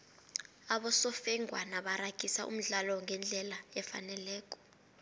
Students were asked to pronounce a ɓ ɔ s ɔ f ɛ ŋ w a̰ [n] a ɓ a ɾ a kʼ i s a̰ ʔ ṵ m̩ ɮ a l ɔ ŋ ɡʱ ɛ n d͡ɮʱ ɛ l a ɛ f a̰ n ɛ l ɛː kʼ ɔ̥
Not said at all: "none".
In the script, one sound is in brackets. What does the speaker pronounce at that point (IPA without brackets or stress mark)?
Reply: n